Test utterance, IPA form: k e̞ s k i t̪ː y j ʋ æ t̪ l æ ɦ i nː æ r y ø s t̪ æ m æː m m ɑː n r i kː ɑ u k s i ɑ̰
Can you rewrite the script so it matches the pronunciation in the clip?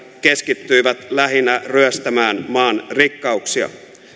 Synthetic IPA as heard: k e̞ s k i t̪ː y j ʋ æ t̪ l æ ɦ i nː æ r y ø s t̪ æ m æː n m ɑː n r i kː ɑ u k s i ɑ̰